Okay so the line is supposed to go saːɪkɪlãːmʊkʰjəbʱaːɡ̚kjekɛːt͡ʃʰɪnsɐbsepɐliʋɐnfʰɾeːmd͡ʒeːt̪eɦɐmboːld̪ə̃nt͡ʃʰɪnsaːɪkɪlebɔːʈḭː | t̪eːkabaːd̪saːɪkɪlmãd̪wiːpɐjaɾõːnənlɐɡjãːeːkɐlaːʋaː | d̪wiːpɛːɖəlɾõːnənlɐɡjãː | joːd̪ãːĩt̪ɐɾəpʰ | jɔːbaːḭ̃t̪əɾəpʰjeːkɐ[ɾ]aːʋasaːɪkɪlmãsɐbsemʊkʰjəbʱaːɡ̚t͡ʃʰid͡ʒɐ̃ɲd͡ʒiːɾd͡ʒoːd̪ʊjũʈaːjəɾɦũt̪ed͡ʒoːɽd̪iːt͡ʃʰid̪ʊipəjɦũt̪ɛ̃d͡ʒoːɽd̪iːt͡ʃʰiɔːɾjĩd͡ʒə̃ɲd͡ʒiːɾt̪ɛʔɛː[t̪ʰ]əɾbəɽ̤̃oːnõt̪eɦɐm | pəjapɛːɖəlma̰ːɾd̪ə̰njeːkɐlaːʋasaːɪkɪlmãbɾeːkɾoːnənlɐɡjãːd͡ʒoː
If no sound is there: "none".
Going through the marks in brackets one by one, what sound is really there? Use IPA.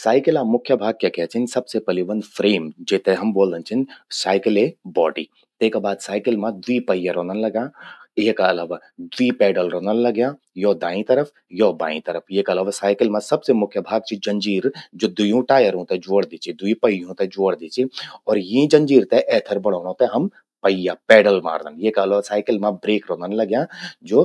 l, t̪ʰ

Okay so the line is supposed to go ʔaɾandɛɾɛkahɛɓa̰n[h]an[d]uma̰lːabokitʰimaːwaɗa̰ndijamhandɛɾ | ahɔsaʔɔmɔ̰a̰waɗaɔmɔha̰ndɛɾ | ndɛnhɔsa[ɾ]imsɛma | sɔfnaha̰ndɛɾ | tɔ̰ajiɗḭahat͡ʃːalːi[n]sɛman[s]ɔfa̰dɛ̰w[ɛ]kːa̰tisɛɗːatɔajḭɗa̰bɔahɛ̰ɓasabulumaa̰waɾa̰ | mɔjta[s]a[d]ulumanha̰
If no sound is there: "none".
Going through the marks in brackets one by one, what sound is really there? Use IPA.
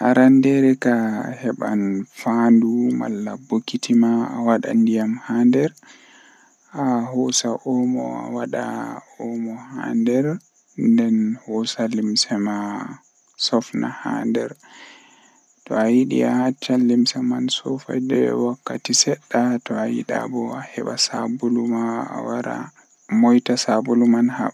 f, d, l, m, s, a, s, b

